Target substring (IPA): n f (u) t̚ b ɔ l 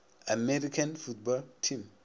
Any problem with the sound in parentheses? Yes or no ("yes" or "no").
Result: no